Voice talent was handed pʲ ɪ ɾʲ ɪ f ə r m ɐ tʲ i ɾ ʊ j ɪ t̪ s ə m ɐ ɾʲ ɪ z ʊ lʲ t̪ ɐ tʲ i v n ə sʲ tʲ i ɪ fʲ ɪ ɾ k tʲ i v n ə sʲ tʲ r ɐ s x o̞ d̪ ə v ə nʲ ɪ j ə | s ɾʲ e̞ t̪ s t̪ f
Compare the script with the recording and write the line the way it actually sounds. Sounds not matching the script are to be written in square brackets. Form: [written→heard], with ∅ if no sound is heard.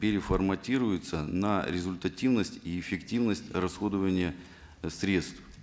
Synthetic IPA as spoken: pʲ ɪ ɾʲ ɪ f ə r m ɐ tʲ i ɾ ʊ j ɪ t̪ s ə [m→n] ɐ ɾʲ ɪ z ʊ lʲ t̪ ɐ tʲ i v n ə sʲ tʲ i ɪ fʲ ɪ [ɾ→∅] k tʲ i v n ə sʲ tʲ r ɐ s x o̞ d̪ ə v ə nʲ ɪ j ə | s ɾʲ e̞ t̪ s t̪ f